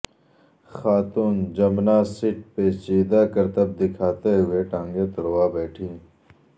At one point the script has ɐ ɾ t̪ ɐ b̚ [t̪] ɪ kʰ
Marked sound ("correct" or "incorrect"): incorrect